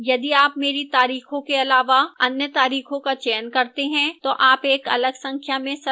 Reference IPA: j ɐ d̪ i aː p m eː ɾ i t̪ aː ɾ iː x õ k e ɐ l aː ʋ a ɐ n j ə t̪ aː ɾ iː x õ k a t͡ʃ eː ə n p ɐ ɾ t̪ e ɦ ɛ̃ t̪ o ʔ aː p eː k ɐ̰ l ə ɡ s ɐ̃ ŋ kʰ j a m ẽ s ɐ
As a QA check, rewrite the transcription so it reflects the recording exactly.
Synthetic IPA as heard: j ɐ d̪ i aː p m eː ɾ i t̪ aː ɾ iː x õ k e ɐ l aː ʋ a ɐ n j ə t̪ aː ɾ iː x õ k a t͡ʃ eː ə n k ɐ ɾ t̪ e ɦ ɛ̃ t̪ o ʔ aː p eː k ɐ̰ l ə ɡ s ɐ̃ ŋ kʰ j a m ẽ s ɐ